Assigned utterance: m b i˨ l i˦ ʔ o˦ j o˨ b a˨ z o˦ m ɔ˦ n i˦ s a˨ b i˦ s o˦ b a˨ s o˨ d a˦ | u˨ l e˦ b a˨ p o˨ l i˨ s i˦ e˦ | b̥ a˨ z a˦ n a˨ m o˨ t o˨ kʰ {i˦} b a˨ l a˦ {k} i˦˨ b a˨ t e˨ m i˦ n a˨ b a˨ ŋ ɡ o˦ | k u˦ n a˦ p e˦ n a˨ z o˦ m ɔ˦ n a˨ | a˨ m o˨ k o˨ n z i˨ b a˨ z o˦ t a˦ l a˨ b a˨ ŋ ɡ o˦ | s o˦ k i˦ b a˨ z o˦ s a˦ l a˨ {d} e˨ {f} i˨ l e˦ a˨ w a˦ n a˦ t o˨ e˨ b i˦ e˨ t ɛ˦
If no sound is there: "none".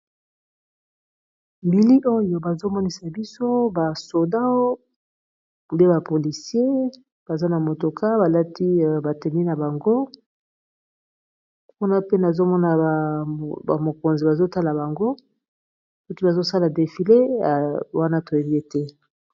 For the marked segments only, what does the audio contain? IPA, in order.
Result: a˦, t, d, f

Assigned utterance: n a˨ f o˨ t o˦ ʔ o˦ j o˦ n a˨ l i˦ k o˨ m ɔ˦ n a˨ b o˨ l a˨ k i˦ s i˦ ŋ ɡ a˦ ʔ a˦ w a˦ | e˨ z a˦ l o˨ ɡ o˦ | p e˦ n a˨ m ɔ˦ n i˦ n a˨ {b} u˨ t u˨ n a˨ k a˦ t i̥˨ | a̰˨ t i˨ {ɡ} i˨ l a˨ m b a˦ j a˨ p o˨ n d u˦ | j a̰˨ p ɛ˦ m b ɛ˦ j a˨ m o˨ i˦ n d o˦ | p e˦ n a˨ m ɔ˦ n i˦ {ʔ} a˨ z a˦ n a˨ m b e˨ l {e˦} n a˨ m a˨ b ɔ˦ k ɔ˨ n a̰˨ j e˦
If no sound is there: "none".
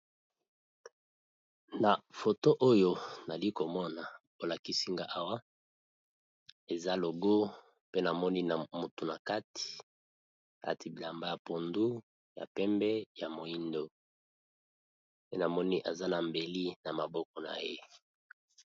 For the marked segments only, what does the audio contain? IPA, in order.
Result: m, b, ʔ, i˦

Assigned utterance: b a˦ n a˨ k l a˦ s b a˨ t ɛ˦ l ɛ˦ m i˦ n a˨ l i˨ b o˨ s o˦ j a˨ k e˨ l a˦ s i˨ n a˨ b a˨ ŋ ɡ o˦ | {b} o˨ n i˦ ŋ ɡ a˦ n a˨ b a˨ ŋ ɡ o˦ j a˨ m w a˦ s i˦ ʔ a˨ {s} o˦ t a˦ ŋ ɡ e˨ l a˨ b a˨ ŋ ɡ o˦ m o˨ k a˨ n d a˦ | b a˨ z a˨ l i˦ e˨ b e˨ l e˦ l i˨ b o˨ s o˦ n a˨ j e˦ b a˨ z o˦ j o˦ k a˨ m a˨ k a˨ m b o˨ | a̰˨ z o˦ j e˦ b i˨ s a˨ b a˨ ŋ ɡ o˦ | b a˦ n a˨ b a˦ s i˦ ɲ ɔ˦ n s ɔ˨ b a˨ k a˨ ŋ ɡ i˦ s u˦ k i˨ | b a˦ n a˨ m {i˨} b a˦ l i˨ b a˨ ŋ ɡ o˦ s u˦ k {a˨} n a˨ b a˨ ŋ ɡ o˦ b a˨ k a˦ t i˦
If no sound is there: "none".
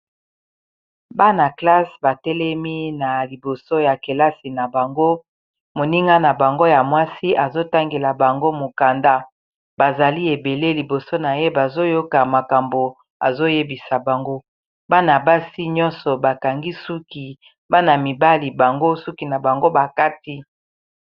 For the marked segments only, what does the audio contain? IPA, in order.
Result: m, z, i˨, i˨

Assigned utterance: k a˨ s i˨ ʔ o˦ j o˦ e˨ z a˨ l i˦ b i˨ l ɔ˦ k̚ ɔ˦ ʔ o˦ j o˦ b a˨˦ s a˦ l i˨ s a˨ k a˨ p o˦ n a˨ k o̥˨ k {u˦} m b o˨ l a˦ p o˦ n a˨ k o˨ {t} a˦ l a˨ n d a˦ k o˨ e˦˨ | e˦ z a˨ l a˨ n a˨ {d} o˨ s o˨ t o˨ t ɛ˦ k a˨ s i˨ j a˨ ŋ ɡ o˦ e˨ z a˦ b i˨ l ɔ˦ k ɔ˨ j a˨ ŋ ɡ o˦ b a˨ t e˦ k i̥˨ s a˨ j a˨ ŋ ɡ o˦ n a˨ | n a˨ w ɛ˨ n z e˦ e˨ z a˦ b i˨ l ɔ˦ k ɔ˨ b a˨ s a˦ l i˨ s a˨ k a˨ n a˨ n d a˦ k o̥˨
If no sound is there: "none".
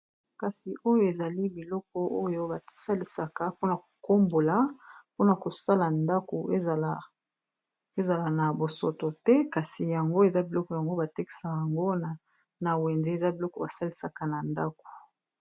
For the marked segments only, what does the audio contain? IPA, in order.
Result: o˦, s, b

